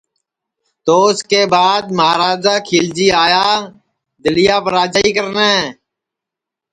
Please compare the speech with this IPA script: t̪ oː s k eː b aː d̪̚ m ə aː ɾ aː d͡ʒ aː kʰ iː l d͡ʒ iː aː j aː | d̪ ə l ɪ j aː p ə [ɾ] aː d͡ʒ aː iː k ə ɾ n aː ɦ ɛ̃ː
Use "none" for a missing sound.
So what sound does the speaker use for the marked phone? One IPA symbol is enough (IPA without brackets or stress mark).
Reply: ɾ